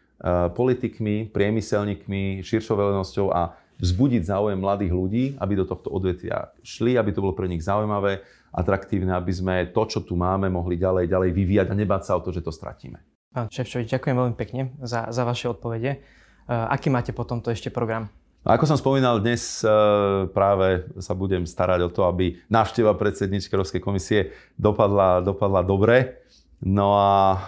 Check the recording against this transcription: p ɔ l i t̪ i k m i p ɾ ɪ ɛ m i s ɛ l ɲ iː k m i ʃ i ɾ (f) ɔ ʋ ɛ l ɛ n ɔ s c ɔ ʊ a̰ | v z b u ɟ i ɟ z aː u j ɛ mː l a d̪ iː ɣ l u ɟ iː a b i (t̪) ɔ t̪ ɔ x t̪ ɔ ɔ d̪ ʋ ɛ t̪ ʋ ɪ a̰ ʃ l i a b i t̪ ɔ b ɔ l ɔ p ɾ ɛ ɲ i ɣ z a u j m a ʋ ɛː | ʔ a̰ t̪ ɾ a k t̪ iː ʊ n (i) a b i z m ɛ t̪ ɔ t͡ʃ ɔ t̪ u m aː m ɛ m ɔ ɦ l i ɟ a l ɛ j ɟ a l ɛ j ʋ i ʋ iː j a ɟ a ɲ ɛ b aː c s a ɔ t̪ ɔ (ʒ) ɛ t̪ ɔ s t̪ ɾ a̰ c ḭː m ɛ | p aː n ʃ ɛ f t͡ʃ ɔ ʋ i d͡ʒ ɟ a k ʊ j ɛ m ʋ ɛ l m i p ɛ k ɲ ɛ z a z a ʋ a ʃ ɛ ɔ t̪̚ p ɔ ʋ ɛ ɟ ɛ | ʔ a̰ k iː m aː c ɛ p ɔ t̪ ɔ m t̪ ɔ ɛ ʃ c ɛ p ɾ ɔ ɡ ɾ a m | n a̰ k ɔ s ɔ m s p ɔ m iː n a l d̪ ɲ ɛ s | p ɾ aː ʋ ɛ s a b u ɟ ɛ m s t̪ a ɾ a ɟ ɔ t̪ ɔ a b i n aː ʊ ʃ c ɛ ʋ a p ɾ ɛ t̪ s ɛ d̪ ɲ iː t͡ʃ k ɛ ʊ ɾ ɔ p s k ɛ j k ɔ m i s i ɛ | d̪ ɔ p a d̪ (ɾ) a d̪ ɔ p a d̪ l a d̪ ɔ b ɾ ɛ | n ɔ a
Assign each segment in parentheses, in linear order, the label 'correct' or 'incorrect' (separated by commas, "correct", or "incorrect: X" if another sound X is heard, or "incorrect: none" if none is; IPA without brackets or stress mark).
incorrect: ʃ, incorrect: d̪, incorrect: ɛ, correct, incorrect: l